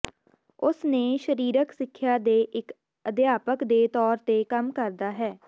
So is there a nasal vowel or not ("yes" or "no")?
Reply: no